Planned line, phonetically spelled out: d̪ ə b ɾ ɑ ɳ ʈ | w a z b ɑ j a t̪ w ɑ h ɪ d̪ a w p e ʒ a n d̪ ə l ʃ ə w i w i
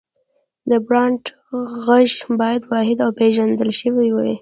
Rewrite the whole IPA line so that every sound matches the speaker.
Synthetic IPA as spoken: d̪ ə b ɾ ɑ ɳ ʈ | ɣ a ʒ b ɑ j a d̪ w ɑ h ɪ d̪ a w p e ʒ a n d̪ ə l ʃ ə w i w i

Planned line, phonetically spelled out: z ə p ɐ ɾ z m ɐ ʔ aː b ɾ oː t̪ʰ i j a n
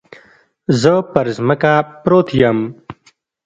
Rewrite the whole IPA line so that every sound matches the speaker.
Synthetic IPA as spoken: z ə p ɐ ɾ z m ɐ k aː p ɾ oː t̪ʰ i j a m

